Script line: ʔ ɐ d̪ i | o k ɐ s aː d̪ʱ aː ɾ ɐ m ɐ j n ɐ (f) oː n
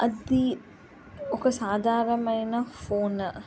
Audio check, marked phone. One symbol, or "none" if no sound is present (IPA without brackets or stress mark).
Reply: f